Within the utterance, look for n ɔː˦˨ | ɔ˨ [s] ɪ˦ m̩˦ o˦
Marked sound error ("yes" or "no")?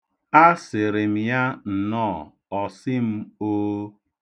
no